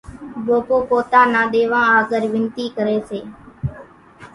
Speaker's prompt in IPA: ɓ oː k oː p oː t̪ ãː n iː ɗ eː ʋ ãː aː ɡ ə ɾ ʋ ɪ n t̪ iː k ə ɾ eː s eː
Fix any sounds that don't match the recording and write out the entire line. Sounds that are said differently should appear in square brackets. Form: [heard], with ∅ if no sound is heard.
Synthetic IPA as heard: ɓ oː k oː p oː t̪ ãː n [aː] ɗ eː ʋ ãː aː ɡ ə ɾ ʋ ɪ n t̪ iː k ə ɾ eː s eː